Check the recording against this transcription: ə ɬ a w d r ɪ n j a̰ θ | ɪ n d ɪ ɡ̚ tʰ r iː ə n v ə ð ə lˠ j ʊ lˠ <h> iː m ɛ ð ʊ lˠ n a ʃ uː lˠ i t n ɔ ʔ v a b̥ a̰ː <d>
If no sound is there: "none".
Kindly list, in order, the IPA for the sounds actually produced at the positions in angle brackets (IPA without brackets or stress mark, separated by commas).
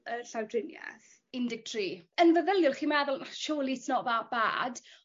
χ, d